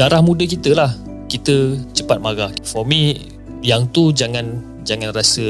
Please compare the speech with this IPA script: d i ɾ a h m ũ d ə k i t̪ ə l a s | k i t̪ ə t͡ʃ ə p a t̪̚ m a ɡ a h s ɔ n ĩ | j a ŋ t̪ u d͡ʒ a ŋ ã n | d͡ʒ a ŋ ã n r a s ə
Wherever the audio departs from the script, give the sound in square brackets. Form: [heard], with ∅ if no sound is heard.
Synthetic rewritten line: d [a] ɾ a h m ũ d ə k i t̪ ə l a [h] | k i t̪ ə t͡ʃ ə p a t̪̚ m a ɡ a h [f] ɔ [m] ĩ | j a ŋ t̪ u d͡ʒ a ŋ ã n | d͡ʒ a ŋ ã n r a s ə